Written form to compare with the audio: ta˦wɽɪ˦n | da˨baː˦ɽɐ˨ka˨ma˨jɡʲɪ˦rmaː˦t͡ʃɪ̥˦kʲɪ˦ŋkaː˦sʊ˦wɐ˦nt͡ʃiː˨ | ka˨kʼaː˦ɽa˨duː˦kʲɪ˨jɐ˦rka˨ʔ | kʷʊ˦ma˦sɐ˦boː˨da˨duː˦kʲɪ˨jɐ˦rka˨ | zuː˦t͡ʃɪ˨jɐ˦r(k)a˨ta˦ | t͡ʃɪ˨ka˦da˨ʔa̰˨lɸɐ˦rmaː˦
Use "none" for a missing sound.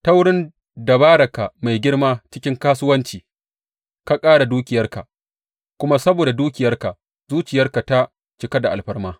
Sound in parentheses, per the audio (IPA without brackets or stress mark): k